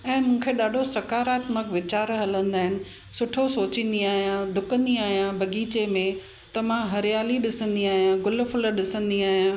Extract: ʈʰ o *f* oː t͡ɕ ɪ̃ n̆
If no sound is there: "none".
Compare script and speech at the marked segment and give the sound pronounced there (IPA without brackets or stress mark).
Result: s